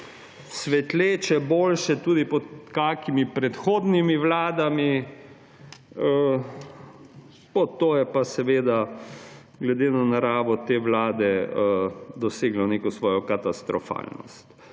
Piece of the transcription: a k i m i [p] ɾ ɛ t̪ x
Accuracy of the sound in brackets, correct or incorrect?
correct